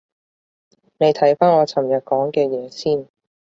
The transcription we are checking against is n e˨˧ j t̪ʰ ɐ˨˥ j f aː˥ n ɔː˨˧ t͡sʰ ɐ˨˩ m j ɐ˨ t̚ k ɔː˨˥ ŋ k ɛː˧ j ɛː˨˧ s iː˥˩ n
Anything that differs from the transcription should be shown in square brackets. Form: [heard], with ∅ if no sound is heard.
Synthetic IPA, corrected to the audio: n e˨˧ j t̪ʰ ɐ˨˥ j f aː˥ n ɔː˨˧ t͡sʰ ɐ˨˩ m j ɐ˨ t̚ k ɔː˨˥ ŋ k ɛː˧ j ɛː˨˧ s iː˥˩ n